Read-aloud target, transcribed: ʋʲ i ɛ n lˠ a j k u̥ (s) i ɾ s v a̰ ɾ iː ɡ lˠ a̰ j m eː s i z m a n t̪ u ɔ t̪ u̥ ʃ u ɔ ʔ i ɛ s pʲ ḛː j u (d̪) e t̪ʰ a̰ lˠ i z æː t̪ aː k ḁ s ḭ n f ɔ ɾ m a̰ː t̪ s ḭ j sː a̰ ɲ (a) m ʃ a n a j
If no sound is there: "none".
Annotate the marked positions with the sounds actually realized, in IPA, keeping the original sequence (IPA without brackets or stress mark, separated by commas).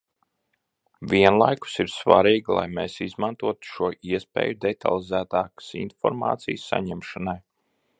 s, d̪, ɛ